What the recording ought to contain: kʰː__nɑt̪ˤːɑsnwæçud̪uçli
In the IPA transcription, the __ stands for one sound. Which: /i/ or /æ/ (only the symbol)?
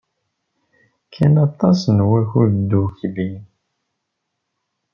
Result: æ